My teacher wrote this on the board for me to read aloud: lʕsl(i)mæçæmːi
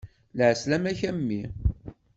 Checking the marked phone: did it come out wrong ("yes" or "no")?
yes